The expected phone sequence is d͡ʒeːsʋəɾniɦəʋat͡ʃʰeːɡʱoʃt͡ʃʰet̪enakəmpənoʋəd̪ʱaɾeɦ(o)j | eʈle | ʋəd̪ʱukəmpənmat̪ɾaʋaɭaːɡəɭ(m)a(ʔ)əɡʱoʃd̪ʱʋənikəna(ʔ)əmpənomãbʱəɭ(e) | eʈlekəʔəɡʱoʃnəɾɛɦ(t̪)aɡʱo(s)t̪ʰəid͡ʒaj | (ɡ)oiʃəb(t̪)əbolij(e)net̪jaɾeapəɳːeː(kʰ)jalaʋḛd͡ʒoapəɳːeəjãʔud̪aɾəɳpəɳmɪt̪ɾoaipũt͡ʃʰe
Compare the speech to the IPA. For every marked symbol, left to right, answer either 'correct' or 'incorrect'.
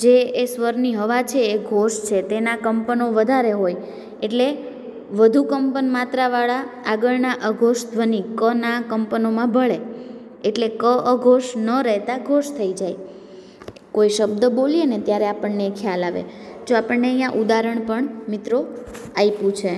correct, incorrect: n, correct, incorrect: k, correct, correct, incorrect: ʃ, incorrect: k, incorrect: d̪, correct, correct

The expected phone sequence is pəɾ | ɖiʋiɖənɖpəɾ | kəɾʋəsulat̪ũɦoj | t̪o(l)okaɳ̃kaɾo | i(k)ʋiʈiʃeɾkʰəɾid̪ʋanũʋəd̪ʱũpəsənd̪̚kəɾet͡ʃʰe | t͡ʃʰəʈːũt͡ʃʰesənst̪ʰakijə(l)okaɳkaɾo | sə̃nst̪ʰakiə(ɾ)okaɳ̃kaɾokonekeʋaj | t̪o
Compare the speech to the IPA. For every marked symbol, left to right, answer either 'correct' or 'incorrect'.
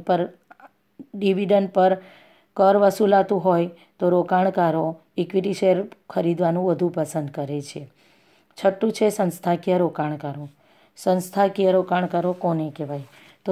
incorrect: ɾ, correct, incorrect: ɾ, correct

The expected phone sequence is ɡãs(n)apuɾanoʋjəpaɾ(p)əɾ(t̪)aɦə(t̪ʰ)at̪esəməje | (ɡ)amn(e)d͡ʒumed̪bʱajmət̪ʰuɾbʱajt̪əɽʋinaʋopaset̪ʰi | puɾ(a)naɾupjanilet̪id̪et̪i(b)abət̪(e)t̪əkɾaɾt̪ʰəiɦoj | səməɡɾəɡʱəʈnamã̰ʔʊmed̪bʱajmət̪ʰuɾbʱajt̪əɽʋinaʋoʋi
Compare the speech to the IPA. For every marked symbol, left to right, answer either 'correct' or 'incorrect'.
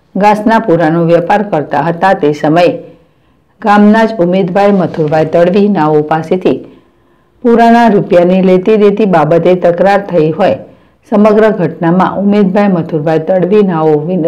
correct, incorrect: k, correct, incorrect: t̪, correct, incorrect: a, correct, correct, correct

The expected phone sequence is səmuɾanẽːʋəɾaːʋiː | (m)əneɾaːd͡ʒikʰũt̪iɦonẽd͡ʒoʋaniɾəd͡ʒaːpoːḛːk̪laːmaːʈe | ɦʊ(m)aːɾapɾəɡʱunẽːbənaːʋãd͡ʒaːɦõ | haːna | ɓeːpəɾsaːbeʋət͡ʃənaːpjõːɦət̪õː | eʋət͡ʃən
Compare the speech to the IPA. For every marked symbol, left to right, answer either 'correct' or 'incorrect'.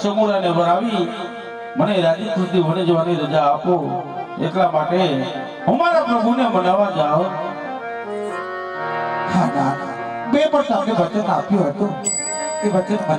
correct, correct

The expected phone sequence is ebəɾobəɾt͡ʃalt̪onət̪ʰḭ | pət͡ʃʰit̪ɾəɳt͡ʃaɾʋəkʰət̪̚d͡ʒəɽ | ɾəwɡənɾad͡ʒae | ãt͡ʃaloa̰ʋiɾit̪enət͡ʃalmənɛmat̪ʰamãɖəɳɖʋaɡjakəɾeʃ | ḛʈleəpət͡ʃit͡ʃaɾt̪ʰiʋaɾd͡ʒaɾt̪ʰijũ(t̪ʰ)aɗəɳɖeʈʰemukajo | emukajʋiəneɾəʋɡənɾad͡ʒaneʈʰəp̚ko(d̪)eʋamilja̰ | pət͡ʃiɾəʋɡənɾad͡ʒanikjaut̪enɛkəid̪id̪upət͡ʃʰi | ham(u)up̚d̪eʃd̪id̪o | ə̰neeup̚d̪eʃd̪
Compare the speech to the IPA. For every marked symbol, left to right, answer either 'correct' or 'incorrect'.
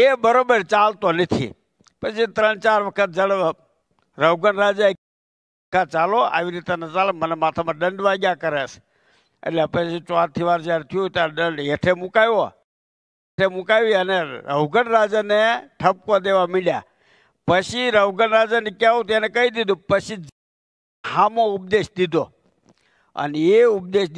incorrect: t̪, correct, incorrect: o

